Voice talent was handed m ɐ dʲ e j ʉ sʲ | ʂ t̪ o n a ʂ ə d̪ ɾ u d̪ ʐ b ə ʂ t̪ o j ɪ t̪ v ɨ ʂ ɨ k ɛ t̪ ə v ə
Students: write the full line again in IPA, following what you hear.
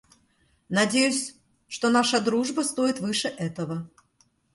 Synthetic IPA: n ɐ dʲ e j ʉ sʲ | ʂ t̪ o n a ʂ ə d̪ ɾ u ʐ b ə s t̪ o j ɪ t̪ v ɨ ʂ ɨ ʔ ɛ t̪ ə v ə